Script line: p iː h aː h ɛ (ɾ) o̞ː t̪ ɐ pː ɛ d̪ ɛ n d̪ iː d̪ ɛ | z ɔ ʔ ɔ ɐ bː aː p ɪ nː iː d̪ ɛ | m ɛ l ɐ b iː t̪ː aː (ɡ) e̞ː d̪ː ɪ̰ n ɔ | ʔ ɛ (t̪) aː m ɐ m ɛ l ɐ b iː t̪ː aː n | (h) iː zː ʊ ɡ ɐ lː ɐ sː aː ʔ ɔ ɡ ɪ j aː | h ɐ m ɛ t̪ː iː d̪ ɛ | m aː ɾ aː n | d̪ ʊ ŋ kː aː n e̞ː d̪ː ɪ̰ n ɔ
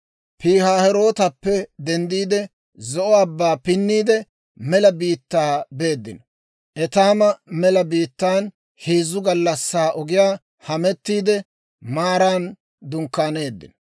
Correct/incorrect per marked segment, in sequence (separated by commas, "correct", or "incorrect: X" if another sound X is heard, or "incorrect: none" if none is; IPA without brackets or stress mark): correct, incorrect: b, correct, correct